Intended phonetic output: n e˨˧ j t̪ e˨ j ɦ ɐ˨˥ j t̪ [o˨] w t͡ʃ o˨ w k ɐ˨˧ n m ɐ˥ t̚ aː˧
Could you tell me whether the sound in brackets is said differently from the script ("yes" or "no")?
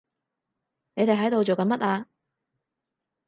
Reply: no